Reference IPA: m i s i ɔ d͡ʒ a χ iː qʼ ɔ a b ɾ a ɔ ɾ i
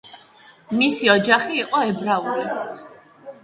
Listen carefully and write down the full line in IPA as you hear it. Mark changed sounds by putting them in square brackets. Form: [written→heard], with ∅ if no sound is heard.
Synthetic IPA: m i s i ɔ d͡ʒ a χ iː qʼ ɔ [a→ɛ] b ɾ a [ɔ→u] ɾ i